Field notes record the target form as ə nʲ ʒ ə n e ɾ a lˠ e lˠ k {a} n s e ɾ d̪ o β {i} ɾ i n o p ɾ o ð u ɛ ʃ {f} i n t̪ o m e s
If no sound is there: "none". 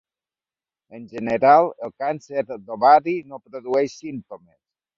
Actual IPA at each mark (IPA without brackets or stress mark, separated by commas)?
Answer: a, a, s